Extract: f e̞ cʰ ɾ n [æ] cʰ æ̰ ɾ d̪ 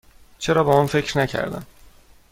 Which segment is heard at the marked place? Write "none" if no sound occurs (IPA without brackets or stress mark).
æ